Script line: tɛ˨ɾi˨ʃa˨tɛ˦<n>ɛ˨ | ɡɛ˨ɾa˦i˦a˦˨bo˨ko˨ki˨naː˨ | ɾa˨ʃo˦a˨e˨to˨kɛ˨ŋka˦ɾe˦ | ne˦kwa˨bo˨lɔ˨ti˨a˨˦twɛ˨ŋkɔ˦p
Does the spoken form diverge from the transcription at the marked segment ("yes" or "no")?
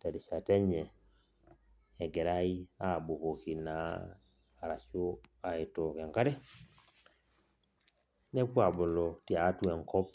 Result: yes